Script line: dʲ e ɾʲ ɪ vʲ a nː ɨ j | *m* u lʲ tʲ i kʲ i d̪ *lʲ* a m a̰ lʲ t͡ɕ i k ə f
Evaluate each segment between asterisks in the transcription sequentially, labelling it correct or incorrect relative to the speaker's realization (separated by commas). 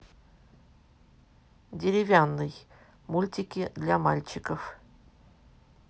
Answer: correct, correct